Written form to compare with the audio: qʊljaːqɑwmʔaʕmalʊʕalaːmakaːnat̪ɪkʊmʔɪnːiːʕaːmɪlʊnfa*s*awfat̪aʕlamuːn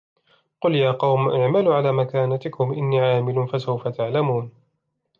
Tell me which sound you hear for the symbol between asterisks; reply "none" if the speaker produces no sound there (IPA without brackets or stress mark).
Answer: s